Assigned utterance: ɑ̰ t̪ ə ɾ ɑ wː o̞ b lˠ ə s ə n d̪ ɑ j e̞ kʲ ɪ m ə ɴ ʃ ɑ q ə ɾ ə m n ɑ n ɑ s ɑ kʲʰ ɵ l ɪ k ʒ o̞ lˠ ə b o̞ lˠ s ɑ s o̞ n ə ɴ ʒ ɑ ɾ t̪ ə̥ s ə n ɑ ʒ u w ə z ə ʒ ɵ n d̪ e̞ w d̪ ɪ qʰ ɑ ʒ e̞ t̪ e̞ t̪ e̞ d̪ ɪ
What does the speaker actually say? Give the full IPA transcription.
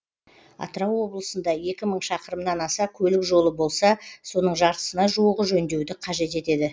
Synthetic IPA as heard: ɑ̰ t̪ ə ɾ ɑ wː o̞ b lˠ ə s ə n d̪ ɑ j e̞ kʲ ɪ m ə ɴ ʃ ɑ q ə ɾ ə m n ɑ n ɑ s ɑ kʲʰ ɵ l ɪ k ʒ o̞ lˠ ə b o̞ lˠ s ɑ s o̞ n ə ɴ ʒ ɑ ɾ t̪ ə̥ s ə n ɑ ʒ u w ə ʁ ə ʒ ɵ n d̪ e̞ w d̪ ɪ qʰ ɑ ʒ e̞ t̪ e̞ t̪ e̞ d̪ ɪ